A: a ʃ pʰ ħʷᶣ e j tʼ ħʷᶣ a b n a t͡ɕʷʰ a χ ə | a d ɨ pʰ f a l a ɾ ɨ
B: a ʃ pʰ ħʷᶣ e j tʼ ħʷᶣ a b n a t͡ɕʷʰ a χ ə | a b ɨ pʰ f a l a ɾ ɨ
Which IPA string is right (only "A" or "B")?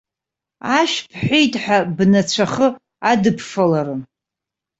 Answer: A